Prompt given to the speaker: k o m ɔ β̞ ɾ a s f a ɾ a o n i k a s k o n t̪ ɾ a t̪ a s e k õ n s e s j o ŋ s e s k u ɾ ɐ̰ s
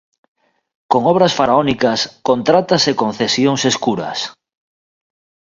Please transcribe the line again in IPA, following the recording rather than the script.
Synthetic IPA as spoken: k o ŋ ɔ β̞ ɾ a s f a ɾ a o n i k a s k o n t̪ ɾ a t̪ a s e k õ n θ e s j o ŋ s e s k u ɾ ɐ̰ s